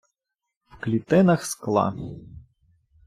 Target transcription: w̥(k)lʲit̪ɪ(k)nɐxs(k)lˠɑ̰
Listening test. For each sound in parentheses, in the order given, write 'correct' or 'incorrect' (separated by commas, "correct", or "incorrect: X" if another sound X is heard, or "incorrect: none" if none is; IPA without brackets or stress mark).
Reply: correct, incorrect: none, correct